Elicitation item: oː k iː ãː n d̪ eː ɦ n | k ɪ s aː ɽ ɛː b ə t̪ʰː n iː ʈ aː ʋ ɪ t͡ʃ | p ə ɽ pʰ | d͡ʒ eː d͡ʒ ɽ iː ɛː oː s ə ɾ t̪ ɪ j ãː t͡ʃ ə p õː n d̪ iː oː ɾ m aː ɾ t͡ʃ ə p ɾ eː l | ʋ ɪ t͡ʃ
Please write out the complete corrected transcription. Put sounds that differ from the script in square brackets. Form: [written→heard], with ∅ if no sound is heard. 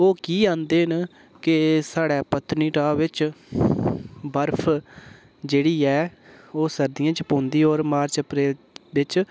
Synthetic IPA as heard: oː k iː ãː n d̪ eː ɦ n | k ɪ s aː ɽ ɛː [b→p] ə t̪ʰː n iː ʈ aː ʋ ɪ t͡ʃ | [p→b] ə [ɽ→ɾ] pʰ | d͡ʒ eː [d͡ʒ→∅] ɽ iː ɛː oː s ə ɾ [t̪→d̪] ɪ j ãː t͡ʃ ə p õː n d̪ iː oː ɾ m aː ɾ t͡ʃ ə p ɾ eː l | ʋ ɪ t͡ʃ